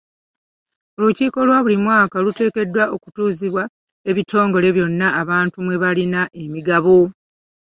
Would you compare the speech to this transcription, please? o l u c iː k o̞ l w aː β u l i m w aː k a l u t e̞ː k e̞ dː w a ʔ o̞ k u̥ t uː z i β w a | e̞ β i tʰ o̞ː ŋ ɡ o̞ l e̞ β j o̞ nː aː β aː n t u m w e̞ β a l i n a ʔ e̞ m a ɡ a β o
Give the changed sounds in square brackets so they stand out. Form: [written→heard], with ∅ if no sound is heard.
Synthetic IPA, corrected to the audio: o l u c iː k o̞ l w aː β u l i m w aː k a l u t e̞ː k e̞ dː w a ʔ o̞ k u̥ t uː z i β w a | e̞ β i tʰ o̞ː ŋ ɡ o̞ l e̞ β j o̞ nː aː β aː n t u m w e̞ β a l i n a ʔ e̞ m [a→i] ɡ a β o

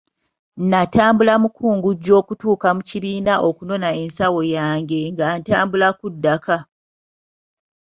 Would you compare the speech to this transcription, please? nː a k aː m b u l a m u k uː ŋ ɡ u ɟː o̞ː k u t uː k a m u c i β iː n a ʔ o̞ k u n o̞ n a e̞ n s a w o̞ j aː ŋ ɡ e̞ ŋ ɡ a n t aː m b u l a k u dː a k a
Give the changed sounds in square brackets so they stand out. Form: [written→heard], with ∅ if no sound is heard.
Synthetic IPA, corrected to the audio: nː a [k→t] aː m b u l a m u k uː ŋ ɡ u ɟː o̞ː k u t uː k a m u c i β iː n a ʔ o̞ k u n o̞ n a e̞ n s a w o̞ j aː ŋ ɡ e̞ ŋ ɡ a n t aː m b u l a k u dː a k a

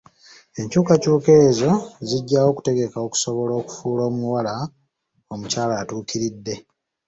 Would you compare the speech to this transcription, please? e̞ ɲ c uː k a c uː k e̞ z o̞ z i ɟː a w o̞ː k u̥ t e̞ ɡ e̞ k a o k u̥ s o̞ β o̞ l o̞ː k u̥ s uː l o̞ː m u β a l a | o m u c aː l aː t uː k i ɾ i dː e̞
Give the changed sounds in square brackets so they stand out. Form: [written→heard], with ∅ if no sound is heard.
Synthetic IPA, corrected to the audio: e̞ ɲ c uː k a c uː k e̞ z o̞ z i ɟː a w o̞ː k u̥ t e̞ ɡ e̞ k a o k u̥ s o̞ β o̞ l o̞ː k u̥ [s→f] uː l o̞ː m u [β→w] a l a | o m u c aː l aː t uː k i ɾ i dː e̞

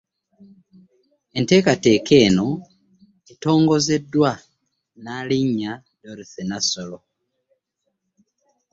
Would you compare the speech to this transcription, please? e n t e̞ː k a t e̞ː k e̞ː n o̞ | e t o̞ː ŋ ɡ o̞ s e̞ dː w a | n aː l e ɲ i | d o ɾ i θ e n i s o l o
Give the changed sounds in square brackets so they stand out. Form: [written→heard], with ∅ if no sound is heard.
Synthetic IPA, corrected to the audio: e n t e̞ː k a t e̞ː k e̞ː n o̞ | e t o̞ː ŋ ɡ o̞ [s→z] e̞ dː w a | n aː l [e→i] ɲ [i→a] | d o ɾ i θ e n [i→a] s o l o

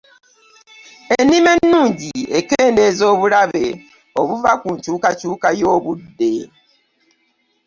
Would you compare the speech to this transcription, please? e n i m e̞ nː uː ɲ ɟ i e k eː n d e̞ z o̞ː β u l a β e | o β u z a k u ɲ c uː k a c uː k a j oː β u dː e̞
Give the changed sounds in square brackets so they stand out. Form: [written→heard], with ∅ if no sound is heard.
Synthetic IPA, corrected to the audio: e n i m e̞ nː uː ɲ ɟ i e k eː n d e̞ z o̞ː β u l a β e | o β u [z→v] a k u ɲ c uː k a c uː k a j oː β u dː e̞

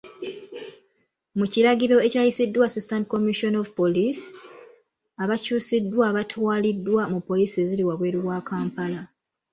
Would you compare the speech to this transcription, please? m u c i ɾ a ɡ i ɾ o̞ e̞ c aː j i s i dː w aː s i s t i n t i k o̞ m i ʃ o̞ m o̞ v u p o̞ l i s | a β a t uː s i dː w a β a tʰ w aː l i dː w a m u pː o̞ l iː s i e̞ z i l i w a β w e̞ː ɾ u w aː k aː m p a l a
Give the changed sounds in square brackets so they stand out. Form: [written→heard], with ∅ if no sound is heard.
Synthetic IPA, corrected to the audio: m u c i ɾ a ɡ i ɾ o̞ e̞ c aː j i s i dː w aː s i s t [i→a] n t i k o̞ m i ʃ o̞ [m→n] o̞ v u p o̞ l i s | a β a [t→c] uː s i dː w a β a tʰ w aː l i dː w a m u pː o̞ l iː s i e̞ z i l i w a β w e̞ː ɾ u w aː k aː m p a l a

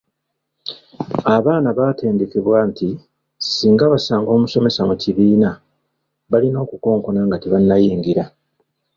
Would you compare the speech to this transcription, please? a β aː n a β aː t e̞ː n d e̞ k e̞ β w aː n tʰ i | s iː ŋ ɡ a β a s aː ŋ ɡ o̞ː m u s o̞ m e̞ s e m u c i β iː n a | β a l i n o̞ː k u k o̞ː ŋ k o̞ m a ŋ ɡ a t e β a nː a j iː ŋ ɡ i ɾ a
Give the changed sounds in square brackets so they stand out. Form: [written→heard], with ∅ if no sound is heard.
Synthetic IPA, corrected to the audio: a β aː n a β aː t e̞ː n d e̞ k e̞ β w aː n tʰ i | s iː ŋ ɡ a β a s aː ŋ ɡ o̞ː m u s o̞ m e̞ s [e→a] m u c i β iː n a | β a l i n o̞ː k u k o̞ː ŋ k o̞ [m→n] a ŋ ɡ a t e β a nː a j iː ŋ ɡ i ɾ a

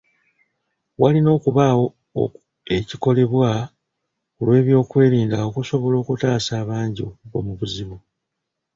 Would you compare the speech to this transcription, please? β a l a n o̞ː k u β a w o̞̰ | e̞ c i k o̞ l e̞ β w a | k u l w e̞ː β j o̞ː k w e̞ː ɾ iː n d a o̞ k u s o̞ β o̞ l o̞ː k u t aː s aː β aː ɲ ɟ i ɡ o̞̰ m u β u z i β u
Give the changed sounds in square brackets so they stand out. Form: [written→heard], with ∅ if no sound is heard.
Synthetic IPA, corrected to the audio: [β→w] a l [a→i] n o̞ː k u β a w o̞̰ | e̞ c i k o̞ l e̞ β w a | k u l w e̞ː β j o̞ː k w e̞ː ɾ iː n d a o̞ k u s o̞ β o̞ l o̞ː k u t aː s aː β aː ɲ ɟ i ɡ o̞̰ m u β u z i β u

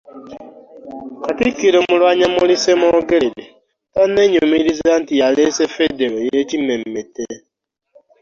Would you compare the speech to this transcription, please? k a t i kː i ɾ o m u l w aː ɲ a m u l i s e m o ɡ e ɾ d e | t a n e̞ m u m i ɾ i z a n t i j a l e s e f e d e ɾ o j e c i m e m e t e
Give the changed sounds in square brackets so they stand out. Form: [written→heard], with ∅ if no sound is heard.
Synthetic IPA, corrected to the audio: k a t i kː i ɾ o m u l w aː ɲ a m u l i s e m o ɡ e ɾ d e | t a n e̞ [m→ɲ] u m i ɾ i z a n t i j a l e s e f e d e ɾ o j e c i m e m e t e

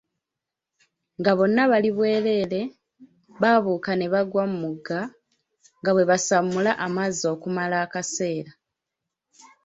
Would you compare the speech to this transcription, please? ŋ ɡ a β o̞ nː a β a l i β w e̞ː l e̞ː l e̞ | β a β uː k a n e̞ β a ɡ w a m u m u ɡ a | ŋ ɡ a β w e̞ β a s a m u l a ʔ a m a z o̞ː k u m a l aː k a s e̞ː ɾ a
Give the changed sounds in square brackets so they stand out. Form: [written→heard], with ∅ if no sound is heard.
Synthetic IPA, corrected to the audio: ŋ ɡ a β o̞ nː a β a l i β w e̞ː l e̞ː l e̞ | β a β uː k a n e̞ β a ɡ w a m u m u ɡ a | ŋ ɡ a β w e̞ β a s a m u l a ʔ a m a z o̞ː k u m a l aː k a s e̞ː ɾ a

